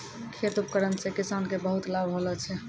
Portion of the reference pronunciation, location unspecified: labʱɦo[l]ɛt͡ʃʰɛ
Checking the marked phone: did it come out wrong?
no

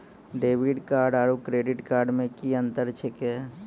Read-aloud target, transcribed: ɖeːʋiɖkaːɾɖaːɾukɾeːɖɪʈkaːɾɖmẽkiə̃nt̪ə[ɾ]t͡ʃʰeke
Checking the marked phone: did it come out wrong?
no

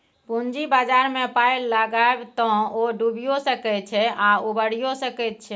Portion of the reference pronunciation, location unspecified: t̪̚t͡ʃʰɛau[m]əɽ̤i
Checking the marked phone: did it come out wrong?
yes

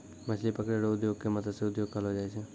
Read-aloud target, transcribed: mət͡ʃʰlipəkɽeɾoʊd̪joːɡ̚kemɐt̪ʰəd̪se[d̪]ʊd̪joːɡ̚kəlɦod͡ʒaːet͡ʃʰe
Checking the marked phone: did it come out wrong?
yes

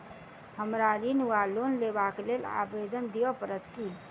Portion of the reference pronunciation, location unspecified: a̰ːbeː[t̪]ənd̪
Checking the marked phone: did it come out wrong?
yes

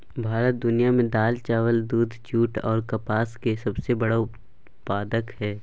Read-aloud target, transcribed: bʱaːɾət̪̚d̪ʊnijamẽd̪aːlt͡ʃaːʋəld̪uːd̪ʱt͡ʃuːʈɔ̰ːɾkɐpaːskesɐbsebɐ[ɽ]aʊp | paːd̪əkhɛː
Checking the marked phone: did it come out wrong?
no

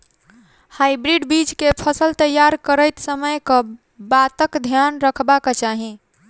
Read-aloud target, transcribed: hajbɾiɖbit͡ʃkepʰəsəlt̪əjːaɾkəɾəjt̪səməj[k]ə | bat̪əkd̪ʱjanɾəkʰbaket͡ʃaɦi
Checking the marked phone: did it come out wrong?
no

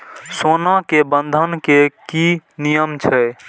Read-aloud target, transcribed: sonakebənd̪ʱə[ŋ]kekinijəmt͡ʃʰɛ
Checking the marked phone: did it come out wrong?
yes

